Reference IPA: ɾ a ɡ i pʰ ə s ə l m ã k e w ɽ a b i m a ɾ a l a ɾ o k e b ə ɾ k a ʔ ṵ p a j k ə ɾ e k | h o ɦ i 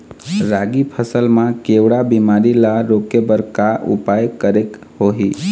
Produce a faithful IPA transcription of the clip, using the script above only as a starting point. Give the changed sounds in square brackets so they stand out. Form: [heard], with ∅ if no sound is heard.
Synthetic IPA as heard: ɾ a ɡ i pʰ ə s ə l m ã k e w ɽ a b i m a ɾ [i] l a ɾ o k e b ə ɾ k a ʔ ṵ p a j k ə ɾ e k | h o ɦ i